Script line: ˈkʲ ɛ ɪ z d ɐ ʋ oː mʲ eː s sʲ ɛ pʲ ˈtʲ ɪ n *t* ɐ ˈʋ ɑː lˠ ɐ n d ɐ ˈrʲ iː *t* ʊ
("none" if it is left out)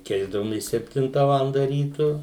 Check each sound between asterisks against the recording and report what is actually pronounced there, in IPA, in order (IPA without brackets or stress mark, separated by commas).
t, t